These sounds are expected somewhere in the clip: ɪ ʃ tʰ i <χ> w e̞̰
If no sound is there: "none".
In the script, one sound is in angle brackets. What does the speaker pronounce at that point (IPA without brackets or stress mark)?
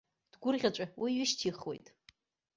χ